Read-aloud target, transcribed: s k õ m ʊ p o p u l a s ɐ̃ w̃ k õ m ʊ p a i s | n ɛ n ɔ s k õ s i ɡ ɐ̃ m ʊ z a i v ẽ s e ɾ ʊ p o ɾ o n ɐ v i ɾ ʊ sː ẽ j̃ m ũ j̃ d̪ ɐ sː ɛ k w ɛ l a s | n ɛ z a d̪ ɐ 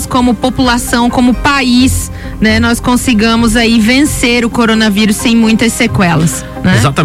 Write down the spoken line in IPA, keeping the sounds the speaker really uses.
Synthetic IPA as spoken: s k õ m ʊ p o p u l a s ɐ̃ w̃ k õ m ʊ p a i s | n ɛ n ɔ s k õ s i ɡ ɐ̃ m ʊ z a i v ẽ s e ɾ ʊ k o ɾ o n ɐ v i ɾ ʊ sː ẽ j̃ m ũ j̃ t̪ ɐ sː e k w ɛ l ɐ s | n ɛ z a t̪ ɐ